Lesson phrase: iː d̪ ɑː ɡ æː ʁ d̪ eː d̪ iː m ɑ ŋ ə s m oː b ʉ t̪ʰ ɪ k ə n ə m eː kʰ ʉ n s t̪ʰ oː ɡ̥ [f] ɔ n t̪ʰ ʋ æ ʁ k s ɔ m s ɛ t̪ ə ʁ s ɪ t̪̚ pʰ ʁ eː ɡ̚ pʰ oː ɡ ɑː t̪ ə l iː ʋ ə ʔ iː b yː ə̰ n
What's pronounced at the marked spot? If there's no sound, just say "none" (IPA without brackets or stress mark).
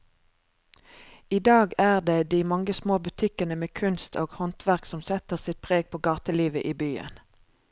h